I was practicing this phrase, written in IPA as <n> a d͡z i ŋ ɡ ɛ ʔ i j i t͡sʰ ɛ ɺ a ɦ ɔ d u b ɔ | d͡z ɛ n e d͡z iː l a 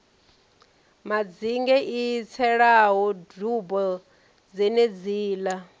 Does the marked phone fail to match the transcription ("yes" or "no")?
yes